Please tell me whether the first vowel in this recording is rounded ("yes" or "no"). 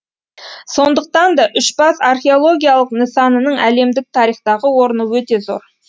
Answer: yes